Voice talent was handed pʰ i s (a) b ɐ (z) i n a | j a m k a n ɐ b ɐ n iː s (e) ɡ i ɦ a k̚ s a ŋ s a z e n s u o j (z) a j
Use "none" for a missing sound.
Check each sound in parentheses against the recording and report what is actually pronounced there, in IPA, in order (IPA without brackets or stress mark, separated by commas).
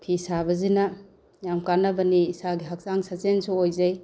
a, z, a, z